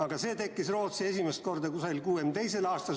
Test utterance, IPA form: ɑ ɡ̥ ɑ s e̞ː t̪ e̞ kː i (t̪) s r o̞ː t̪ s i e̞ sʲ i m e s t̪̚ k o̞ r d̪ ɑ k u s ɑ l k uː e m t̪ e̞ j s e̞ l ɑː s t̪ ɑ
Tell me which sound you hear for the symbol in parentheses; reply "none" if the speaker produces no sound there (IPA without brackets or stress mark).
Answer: none